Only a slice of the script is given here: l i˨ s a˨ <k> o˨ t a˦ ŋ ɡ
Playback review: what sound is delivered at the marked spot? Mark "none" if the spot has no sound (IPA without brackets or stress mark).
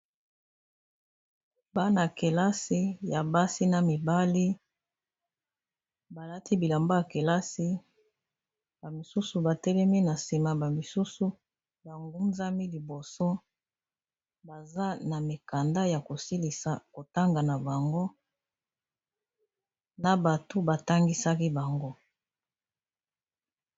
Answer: k